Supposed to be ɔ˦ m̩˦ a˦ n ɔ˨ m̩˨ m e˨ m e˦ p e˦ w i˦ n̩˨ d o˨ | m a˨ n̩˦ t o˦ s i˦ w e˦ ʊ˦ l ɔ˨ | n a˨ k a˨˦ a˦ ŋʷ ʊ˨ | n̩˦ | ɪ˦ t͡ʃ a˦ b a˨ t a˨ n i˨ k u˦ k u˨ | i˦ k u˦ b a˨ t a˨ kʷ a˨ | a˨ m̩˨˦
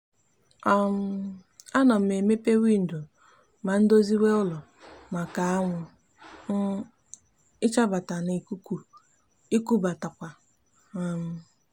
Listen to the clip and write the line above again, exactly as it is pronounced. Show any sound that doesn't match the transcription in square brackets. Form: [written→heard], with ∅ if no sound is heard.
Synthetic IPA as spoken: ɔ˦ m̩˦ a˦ n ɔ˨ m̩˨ m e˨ m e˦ p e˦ w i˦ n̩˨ d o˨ | m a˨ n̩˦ [t→d] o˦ [s→z] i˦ w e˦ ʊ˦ l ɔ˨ | [n→m] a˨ k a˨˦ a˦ ŋʷ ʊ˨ | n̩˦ | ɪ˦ t͡ʃ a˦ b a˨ t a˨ n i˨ k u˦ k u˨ | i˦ k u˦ b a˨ t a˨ kʷ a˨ | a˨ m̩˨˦